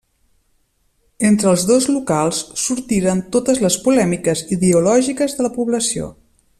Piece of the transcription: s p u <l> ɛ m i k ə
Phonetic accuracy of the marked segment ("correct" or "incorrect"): correct